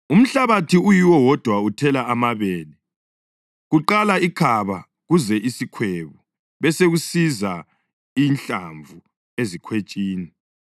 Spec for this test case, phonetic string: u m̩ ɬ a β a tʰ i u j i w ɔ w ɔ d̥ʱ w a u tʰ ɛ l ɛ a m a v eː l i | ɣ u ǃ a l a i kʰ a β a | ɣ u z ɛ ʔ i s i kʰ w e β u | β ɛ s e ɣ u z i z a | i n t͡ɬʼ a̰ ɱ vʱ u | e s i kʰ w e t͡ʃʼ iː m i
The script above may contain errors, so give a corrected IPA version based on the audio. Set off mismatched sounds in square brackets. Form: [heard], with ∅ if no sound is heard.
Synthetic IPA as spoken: u m̩ ɬ a β a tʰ i u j i w ɔ w ɔ d̥ʱ w a u tʰ ɛ l [a] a m a [β] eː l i | ɣ u ǃ a l a i kʰ a β a | ɣ u z ɛ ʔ i s i kʰ w e β u | β ɛ s e ɣ u [s] i z a | i n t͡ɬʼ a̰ ɱ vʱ u | e [z] i kʰ w e t͡ʃʼ iː [n] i